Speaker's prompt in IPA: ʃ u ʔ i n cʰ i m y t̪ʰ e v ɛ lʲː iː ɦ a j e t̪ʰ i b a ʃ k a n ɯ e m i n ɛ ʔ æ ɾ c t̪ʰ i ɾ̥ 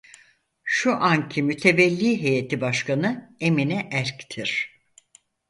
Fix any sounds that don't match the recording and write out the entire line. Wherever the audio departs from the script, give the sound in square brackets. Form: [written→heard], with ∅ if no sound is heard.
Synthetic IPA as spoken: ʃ u ʔ [i→a] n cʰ i m y t̪ʰ e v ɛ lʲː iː ɦ [a→e] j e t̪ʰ i b a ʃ k a n ɯ e m i n ɛ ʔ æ ɾ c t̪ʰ i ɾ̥